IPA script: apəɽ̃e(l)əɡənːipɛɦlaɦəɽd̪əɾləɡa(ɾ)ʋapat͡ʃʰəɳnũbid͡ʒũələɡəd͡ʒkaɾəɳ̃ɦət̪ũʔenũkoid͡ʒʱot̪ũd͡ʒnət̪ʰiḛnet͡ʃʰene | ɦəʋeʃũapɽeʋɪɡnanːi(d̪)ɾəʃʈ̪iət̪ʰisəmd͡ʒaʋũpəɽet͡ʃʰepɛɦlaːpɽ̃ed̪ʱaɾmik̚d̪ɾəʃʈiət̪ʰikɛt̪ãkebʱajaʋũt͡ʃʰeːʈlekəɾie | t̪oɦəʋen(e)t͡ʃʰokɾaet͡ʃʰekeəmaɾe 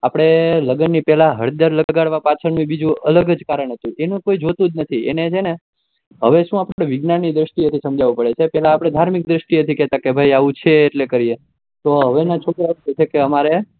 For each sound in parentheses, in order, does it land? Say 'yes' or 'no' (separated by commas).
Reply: yes, no, yes, no